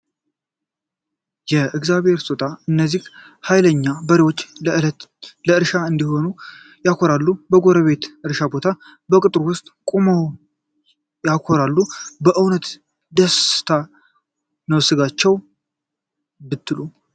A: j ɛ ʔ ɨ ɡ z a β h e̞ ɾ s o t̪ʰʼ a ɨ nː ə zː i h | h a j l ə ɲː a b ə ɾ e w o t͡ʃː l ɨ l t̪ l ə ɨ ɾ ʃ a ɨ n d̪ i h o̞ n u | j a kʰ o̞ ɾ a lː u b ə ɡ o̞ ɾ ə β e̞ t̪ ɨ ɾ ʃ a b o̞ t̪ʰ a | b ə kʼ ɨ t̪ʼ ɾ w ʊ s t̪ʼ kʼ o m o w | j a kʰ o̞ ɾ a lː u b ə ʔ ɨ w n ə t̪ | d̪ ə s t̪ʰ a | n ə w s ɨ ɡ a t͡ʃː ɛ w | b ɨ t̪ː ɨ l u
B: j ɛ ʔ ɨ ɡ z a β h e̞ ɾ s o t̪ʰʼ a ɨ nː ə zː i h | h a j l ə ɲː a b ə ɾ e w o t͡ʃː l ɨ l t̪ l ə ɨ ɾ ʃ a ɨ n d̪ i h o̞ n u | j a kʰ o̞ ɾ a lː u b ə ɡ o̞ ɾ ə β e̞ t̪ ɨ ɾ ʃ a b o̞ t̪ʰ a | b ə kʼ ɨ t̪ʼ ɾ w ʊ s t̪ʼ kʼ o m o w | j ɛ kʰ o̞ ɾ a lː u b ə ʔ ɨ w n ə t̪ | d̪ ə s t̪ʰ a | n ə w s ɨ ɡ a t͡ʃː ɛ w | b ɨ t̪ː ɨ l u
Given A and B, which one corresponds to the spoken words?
A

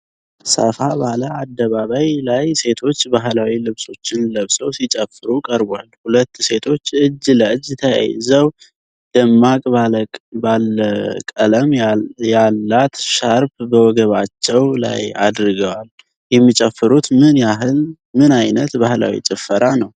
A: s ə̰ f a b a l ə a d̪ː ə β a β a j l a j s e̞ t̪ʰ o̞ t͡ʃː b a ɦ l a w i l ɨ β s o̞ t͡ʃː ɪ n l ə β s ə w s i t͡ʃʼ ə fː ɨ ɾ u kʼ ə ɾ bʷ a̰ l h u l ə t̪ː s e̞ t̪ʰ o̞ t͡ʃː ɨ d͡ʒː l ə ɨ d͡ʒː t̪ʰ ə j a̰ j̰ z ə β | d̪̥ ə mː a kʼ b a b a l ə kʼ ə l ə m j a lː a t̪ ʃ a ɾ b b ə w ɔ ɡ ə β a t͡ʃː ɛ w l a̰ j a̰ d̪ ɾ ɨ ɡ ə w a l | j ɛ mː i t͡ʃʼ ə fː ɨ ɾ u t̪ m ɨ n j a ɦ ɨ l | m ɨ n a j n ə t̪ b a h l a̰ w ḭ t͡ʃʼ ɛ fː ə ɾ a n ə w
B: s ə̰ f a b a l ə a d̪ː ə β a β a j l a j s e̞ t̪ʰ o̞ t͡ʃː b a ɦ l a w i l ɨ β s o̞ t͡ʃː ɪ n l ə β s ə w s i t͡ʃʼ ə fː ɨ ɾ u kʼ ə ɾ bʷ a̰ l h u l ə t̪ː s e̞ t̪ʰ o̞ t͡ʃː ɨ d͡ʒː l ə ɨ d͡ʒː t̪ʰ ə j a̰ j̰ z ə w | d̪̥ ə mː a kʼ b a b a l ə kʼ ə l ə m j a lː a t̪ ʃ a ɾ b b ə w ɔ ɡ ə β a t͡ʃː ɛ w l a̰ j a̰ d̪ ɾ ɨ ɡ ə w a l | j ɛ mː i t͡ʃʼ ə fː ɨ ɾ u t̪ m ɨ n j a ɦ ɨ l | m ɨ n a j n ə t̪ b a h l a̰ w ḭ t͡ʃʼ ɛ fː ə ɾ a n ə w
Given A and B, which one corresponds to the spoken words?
B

